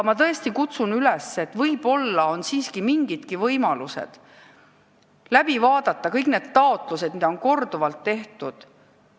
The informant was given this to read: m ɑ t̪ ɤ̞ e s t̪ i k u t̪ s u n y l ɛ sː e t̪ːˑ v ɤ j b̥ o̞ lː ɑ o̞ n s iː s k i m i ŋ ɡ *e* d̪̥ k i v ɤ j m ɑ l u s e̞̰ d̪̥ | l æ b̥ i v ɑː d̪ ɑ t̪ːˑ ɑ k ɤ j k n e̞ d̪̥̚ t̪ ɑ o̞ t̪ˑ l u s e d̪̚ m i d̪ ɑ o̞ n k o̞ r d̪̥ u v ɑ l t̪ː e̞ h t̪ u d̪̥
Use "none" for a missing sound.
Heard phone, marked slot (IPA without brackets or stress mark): i